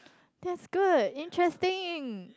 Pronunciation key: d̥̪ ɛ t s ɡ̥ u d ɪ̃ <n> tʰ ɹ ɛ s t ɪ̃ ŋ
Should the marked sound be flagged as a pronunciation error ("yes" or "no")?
no